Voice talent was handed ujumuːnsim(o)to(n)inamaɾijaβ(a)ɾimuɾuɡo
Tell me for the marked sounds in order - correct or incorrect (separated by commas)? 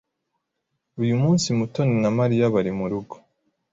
incorrect, correct, correct